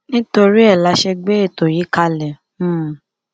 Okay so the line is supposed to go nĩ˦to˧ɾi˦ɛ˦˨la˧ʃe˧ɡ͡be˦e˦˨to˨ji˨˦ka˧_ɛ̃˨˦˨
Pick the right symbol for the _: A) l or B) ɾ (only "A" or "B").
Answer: A